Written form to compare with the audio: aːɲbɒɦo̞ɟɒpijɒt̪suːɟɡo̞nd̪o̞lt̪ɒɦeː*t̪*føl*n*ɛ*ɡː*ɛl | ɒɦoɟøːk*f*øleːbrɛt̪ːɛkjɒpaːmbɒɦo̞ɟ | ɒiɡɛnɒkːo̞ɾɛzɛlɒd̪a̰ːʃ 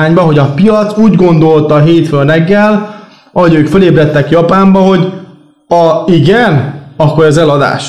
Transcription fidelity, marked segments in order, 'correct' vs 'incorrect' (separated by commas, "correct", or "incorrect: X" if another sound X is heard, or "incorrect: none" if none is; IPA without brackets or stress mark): correct, correct, correct, correct